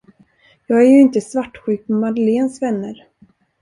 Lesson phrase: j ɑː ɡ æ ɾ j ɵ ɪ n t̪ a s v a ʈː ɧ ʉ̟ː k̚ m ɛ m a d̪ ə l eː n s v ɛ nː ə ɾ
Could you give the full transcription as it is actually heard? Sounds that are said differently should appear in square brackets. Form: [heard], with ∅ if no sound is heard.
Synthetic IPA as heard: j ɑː ɡ æ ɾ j ɵ ɪ n t̪ [ə] s v a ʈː ɧ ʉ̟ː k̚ m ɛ m a d̪ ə l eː n s v ɛ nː ə ɾ